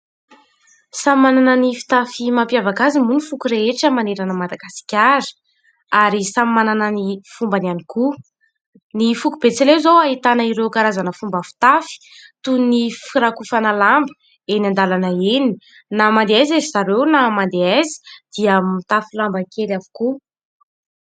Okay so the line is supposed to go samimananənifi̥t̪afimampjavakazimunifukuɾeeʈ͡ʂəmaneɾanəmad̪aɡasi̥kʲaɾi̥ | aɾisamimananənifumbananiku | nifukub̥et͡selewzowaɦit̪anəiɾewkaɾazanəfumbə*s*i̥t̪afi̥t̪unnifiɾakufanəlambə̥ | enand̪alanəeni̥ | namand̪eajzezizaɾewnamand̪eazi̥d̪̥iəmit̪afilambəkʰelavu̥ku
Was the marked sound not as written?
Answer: yes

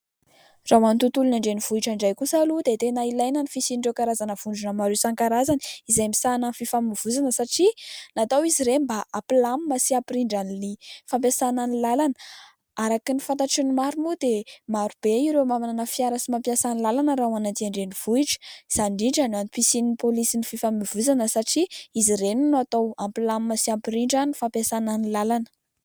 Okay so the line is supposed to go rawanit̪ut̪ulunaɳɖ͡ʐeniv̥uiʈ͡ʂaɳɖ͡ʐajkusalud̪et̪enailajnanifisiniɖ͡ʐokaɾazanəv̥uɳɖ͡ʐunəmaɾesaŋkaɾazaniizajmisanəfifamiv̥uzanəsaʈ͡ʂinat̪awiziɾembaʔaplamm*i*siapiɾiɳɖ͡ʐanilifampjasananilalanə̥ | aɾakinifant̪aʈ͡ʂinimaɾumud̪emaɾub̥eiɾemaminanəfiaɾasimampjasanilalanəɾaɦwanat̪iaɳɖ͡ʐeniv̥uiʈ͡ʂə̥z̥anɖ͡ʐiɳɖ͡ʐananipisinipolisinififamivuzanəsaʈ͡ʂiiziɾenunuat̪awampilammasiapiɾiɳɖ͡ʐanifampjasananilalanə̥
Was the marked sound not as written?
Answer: yes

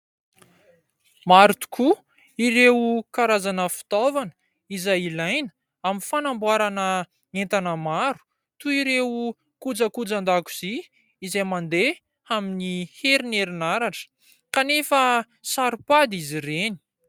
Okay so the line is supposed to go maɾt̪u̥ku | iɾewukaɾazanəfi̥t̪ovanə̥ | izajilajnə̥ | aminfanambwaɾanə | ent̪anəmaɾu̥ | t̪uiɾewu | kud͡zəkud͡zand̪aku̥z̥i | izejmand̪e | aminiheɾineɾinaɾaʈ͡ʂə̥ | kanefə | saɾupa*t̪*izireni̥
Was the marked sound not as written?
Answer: yes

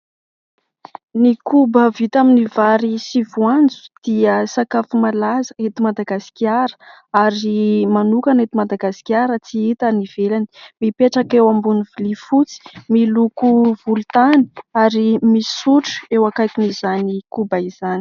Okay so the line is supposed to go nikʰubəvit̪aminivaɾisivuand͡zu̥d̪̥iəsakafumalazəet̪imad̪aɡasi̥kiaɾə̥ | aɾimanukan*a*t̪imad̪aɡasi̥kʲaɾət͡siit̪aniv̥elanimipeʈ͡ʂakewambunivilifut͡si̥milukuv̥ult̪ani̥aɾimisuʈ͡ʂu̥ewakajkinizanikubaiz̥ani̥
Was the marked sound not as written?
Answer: yes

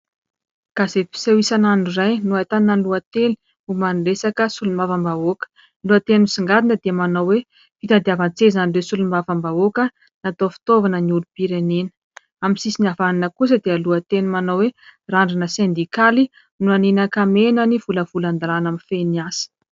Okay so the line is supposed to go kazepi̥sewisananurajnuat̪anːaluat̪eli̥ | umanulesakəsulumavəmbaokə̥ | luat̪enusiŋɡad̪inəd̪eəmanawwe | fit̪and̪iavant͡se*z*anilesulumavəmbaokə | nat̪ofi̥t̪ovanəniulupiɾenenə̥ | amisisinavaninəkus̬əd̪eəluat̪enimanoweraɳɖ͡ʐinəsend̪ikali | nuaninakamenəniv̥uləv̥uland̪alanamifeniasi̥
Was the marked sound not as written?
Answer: no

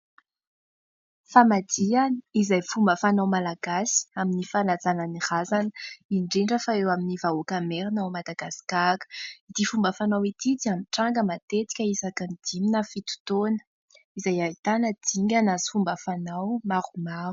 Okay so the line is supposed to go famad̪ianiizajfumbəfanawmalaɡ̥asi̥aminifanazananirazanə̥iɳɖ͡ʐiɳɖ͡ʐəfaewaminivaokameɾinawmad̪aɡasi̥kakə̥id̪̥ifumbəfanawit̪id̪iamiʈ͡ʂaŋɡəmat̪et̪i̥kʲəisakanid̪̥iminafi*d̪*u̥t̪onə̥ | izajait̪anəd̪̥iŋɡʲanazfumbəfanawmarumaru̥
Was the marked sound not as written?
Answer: yes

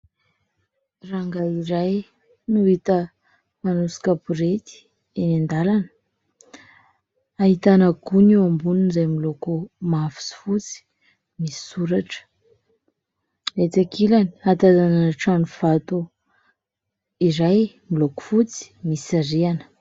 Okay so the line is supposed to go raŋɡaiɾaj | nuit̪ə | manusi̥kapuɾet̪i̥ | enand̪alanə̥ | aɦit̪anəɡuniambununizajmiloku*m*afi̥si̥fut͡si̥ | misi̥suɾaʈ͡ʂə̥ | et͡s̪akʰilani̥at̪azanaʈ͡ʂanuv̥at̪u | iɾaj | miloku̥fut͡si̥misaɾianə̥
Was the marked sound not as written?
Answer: no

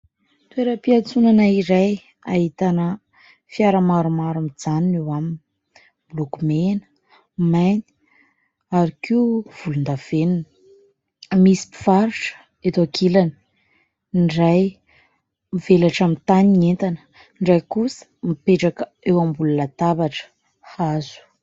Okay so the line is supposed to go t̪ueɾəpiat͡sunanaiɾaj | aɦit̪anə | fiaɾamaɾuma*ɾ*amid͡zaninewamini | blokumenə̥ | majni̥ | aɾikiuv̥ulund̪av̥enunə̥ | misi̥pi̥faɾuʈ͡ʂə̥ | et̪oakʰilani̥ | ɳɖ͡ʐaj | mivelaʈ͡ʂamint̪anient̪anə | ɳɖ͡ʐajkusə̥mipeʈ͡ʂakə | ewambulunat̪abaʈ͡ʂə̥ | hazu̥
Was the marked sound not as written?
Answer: no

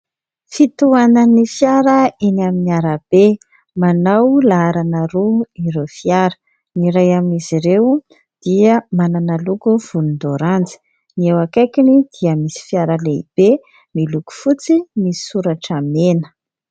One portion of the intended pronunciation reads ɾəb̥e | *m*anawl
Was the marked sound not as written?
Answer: no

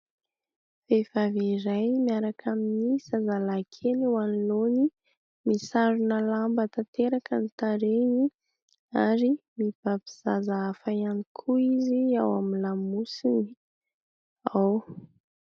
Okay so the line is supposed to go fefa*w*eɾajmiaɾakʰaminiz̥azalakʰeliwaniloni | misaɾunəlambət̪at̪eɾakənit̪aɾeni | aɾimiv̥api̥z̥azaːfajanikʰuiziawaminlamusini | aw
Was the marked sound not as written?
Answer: yes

